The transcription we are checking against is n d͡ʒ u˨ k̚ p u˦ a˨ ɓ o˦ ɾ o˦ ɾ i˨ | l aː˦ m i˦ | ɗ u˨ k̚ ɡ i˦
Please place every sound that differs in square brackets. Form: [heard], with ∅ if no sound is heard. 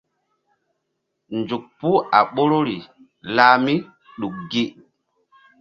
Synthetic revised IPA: n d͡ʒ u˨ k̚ p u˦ a˨ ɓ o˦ ɾ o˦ ɾ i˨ | l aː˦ m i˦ | ɗ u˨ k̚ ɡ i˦